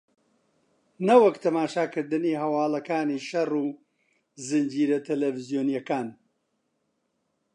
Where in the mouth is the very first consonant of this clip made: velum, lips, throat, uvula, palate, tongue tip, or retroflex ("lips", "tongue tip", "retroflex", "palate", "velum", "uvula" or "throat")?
tongue tip